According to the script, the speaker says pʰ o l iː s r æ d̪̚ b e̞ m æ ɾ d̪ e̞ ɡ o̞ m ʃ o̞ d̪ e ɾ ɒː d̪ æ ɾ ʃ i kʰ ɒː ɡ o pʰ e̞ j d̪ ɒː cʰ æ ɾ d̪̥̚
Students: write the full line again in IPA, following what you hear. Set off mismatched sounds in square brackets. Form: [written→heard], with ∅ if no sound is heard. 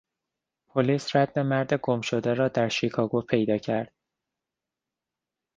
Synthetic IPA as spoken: pʰ o l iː s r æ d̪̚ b e̞ m æ ɾ d̪ e̞ ɡ o̞ m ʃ o̞ d̪ e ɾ ɒː d̪ æ ɾ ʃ i kʰ ɒː ɡ o pʰ e̞ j d̪ ɒː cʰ æ ɾ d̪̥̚